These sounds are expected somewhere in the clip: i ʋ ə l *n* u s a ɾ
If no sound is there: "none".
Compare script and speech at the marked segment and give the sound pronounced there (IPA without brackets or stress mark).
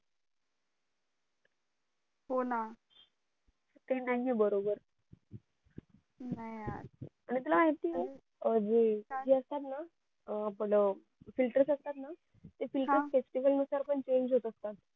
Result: n